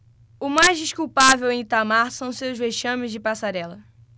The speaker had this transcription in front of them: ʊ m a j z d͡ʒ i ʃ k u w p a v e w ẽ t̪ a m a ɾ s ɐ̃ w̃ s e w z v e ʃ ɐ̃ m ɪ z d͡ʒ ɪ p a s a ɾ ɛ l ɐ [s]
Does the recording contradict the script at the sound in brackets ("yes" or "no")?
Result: yes